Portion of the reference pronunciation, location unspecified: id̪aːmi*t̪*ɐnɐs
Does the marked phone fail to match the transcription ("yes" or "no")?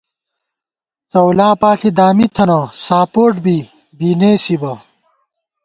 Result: yes